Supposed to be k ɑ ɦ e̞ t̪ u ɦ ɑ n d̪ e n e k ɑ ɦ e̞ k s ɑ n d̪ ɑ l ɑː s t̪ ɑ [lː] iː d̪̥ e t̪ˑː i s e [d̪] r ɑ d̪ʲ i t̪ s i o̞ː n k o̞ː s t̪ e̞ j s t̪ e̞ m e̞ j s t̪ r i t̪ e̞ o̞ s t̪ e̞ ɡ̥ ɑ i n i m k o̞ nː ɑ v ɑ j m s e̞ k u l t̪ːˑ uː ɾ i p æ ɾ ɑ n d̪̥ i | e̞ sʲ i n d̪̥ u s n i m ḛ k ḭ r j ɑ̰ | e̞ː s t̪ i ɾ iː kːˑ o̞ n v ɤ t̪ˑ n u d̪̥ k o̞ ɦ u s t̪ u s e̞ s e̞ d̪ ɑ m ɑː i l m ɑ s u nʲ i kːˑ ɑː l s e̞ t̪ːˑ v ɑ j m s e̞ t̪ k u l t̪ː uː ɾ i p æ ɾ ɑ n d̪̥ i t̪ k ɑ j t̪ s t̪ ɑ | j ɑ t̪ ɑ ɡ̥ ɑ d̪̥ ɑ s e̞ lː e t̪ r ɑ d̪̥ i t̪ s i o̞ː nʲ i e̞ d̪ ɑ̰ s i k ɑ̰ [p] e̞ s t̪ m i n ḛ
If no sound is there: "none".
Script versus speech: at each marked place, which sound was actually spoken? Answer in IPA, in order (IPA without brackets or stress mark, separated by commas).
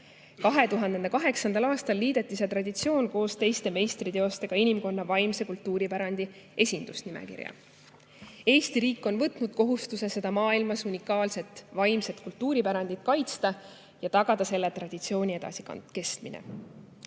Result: lː, t̪, k